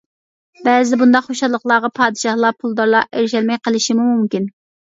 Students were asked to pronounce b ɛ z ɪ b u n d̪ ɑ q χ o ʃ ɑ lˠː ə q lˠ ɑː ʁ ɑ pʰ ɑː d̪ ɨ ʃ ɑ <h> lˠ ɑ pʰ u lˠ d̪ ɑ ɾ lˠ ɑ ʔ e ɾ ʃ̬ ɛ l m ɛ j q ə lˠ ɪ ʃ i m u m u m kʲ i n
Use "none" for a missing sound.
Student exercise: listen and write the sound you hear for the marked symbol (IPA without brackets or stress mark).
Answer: h